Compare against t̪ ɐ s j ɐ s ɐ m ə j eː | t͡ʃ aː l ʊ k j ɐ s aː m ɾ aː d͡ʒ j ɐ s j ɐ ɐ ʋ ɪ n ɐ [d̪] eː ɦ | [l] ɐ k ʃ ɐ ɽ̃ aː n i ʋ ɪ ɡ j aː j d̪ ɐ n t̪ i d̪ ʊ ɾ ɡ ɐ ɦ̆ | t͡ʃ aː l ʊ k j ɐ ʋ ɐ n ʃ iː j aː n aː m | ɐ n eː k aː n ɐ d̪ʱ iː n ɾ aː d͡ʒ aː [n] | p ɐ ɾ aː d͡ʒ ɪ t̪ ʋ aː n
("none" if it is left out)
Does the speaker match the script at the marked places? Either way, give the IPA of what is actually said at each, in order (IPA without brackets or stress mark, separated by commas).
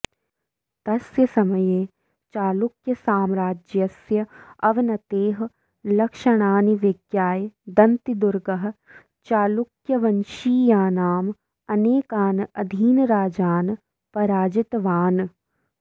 t̪, l, n